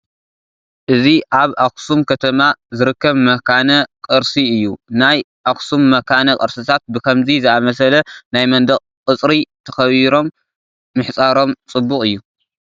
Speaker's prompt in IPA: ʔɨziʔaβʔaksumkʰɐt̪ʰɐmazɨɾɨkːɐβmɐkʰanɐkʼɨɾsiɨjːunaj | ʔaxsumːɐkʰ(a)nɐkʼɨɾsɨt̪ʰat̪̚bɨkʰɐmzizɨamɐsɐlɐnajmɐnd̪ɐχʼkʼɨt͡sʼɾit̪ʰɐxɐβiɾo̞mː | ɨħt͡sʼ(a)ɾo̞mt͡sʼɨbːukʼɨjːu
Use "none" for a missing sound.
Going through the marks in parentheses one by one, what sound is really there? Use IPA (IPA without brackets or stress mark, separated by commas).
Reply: a, a